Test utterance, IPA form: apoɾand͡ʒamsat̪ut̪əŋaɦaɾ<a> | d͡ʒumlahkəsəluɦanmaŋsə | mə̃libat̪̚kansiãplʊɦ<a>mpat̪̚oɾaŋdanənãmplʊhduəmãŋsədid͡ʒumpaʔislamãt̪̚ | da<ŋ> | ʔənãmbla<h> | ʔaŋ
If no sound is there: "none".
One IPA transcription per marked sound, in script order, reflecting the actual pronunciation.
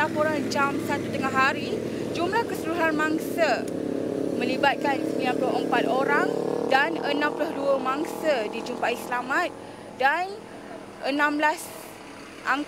i, ə, n, s

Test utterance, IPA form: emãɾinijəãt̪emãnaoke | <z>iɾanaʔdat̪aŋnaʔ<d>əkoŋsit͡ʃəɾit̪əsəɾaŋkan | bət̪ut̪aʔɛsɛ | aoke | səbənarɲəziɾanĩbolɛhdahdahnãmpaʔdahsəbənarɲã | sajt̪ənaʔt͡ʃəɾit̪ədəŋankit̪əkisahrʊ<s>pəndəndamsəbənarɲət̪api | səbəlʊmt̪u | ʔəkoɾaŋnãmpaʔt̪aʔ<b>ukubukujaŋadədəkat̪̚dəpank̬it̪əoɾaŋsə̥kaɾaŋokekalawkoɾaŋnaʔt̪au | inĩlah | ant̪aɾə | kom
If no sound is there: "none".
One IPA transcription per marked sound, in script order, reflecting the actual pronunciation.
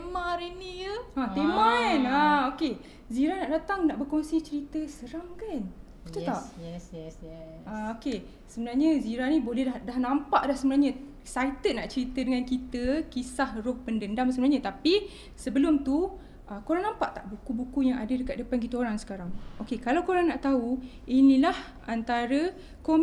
z, b, h, b

